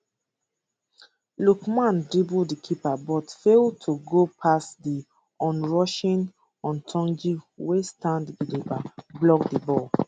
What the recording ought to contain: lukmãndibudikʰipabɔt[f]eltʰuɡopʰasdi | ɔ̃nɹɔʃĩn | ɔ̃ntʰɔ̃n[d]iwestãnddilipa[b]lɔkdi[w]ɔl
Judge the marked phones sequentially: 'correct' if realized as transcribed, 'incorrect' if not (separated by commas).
correct, incorrect, correct, incorrect